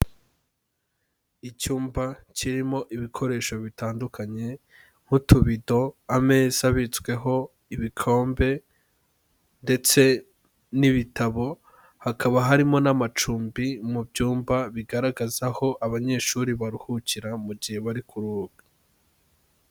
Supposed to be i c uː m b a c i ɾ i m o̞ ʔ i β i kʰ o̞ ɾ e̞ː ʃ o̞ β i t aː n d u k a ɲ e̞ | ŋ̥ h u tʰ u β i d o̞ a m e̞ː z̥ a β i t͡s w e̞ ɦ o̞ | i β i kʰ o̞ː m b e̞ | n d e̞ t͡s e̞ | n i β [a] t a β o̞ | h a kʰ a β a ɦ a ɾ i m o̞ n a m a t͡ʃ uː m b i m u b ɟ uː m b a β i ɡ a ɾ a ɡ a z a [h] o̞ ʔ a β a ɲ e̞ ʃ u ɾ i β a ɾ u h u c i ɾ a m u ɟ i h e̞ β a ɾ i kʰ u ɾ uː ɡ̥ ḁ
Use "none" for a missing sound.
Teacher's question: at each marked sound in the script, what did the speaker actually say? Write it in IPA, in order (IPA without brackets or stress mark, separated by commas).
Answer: i, h